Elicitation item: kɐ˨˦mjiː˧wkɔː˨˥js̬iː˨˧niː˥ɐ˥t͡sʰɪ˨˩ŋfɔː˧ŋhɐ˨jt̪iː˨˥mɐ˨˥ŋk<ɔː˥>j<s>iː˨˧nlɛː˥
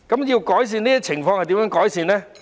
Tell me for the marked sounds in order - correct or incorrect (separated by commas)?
incorrect, correct